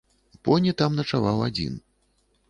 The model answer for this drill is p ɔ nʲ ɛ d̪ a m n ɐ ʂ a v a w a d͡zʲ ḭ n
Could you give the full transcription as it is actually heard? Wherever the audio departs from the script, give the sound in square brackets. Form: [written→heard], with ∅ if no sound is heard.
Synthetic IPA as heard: p ɔ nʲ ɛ [d̪→t̪] a m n ɐ [ʂ→t͡ʂ] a v a w a d͡zʲ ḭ n